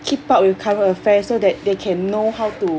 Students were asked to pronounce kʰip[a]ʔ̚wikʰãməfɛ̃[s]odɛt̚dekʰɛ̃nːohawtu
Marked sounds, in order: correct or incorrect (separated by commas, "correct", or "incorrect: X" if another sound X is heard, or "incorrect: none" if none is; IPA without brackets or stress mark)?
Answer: correct, correct